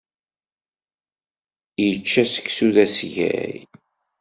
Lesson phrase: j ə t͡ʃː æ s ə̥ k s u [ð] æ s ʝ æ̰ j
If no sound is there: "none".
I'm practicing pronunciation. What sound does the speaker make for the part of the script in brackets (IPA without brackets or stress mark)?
ð